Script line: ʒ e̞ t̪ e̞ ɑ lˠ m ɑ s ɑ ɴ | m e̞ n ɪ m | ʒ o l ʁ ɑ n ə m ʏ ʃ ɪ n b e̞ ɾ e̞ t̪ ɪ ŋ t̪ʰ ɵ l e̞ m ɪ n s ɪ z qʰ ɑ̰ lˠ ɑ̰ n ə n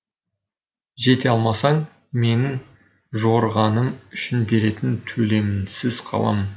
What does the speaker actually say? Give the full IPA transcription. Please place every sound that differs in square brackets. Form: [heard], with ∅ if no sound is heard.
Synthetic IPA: ʒ e̞ t̪ e̞ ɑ lˠ m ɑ s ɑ ɴ | m e̞ n ɪ [ŋ] | ʒ o [ɾ] ʁ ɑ n ə m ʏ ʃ ɪ n b e̞ ɾ e̞ t̪ ɪ [n] t̪ʰ ɵ l e̞ m ɪ n s ɪ z qʰ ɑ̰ lˠ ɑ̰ [m] ə n